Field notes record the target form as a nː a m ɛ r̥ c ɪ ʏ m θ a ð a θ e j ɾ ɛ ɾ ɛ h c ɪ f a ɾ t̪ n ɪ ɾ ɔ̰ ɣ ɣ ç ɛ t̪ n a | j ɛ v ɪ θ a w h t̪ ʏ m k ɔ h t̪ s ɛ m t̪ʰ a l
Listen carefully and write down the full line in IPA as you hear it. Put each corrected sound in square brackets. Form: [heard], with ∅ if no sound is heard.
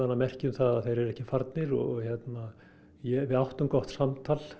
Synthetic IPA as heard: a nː a m ɛ r̥ c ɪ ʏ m θ a ð a θ e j ɾ ɛ ɾ ɛ h c ɪ f a ɾ t̪ n ɪ ɾ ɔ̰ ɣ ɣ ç ɛ t̪ n a | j ɛ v ɪ [ð] a w h t̪ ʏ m k ɔ h t̪ s [a] m t̪ʰ a l